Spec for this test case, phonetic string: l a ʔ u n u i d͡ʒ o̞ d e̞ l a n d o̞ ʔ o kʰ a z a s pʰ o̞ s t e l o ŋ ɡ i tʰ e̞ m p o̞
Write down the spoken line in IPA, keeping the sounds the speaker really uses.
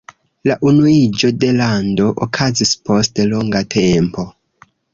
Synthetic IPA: l a ʔ u n u i d͡ʒ o̞ d e̞ l a n d o̞ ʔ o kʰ a z i s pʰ o̞ s t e l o ŋ ɡ a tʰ e̞ m p o̞

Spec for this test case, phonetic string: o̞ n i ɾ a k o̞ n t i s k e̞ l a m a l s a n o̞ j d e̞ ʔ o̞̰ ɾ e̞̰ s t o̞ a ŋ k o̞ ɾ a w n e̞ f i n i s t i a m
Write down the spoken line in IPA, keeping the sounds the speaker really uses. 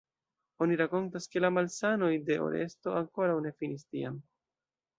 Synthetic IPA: o̞ n i ɾ a k o̞ n t a s k e̞ l a m a l s a n o̞ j d e̞ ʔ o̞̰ ɾ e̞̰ s t o̞ a ŋ k o̞ ɾ a w n e̞ f i n i s t i a m

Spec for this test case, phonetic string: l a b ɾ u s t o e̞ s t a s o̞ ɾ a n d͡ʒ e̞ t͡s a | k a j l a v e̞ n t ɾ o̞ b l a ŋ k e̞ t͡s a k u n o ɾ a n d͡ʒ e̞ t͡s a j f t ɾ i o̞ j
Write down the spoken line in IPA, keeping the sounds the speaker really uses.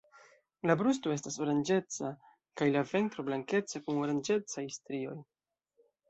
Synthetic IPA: l a b ɾ u s t o e̞ s t a s o̞ ɾ a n d͡ʒ e̞ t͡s a | k a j l a v e̞ n t ɾ o̞ b l a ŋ k e̞ t͡s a k u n o ɾ a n d͡ʒ e̞ t͡s a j s t ɾ i o̞ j

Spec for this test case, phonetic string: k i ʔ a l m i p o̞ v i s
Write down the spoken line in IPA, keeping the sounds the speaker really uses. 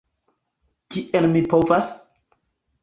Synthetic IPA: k i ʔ e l m i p o̞ v a s

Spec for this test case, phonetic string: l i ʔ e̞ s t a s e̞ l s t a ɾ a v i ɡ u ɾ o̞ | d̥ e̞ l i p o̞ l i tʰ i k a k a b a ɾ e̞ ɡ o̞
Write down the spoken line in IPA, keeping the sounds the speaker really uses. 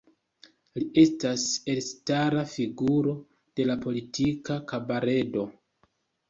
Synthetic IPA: l i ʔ e̞ s t a s e̞ l s t a ɾ a f i ɡ u ɾ o̞ | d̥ e̞ l a p o̞ l i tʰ i k a k a b a ɾ e̞ d o̞

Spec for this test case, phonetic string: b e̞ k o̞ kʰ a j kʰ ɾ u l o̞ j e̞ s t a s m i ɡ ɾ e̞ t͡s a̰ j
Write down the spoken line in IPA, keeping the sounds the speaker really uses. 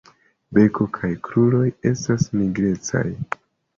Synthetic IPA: b e̞ k o̞ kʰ a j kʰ ɾ u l o̞ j e̞ s t a s m i ɡ ɾ e̞ t͡s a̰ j

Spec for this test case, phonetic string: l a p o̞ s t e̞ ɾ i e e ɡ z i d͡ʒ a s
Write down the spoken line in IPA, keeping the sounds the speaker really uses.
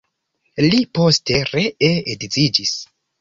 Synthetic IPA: l i p o̞ s t e̞ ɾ e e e d z i d͡ʒ i s

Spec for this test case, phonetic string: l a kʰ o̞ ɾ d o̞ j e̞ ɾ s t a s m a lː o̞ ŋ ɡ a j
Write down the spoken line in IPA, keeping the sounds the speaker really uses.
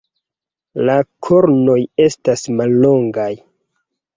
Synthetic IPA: l a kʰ o̞ ɾ n o̞ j e̞ s t a s m a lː o̞ ŋ ɡ a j

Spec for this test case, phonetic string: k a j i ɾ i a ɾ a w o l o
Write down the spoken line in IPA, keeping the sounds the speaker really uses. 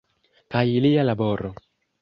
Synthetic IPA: k a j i l i a l a b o ɾ o

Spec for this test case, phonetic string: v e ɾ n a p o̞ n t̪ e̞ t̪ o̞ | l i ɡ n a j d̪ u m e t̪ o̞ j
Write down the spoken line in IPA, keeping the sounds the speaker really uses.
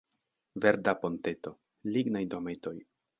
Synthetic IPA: v e ɾ d a p o̞ n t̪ e̞ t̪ o̞ | l i ɡ n a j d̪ o m e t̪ o̞ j

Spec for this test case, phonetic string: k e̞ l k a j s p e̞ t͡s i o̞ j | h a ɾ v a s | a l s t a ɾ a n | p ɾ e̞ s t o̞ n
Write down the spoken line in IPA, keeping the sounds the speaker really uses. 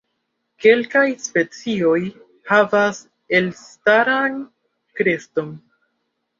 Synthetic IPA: k e̞ l k a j s p e̞ t͡s i o̞ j | h a v a s | e l s t a ɾ a n | k ɾ e̞ s t o̞ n

